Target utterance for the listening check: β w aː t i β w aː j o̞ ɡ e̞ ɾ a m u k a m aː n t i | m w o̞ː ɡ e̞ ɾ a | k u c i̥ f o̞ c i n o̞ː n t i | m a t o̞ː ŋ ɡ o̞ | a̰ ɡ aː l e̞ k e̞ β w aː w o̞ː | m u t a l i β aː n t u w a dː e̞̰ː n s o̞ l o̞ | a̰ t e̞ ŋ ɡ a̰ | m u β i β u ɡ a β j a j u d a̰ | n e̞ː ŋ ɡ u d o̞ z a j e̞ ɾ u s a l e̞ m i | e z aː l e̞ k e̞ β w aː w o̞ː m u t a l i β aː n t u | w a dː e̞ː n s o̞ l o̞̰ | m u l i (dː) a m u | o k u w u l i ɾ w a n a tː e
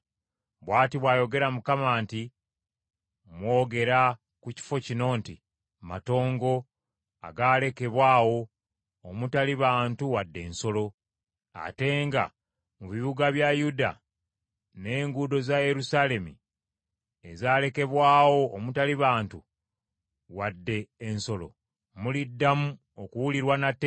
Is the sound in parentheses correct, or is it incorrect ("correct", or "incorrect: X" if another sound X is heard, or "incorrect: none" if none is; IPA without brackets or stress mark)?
correct